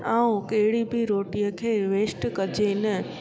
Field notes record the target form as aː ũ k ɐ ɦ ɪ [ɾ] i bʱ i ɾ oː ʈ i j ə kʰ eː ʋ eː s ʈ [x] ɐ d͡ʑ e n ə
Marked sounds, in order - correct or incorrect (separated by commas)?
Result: incorrect, incorrect